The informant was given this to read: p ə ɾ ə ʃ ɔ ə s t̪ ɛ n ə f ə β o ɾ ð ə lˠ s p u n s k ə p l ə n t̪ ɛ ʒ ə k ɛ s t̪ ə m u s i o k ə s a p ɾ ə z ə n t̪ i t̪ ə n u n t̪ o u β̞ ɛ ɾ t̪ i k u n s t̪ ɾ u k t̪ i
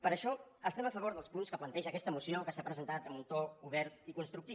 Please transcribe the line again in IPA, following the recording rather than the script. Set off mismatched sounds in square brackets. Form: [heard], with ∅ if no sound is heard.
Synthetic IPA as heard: p ə ɾ ə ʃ ɔ ə s t̪ ɛ [m] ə f ə β o ɾ ð ə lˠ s p u n s k ə p l ə n t̪ ɛ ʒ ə k ɛ s t̪ ə m u s i o k ə s a p ɾ ə z ə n t̪ [a] t̪ ə [m] u n t̪ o u β̞ ɛ ɾ t̪ i k u n s t̪ ɾ u k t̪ i